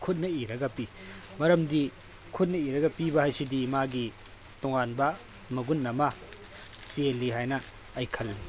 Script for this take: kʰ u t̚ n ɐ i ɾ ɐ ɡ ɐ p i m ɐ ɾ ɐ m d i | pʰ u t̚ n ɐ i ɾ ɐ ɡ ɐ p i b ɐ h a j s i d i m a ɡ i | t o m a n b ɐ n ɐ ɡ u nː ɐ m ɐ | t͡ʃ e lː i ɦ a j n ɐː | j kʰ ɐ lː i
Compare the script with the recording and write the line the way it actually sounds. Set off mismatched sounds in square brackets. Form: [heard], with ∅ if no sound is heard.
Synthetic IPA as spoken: kʰ u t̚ n ɐ i ɾ ɐ ɡ ɐ p i m ɐ ɾ ɐ m d i | [kʰ] u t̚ n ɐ i ɾ ɐ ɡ ɐ p i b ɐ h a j s i d i m a ɡ i | t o [ŋ] a n b ɐ [m] ɐ ɡ u nː ɐ m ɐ | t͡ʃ e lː i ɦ a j n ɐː | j kʰ ɐ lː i